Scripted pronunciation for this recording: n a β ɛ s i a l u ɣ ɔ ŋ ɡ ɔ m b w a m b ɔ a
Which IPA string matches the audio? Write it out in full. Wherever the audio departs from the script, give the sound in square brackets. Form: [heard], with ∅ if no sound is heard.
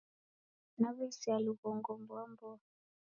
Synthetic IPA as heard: n a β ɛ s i a l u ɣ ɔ ŋ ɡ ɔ m b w a m b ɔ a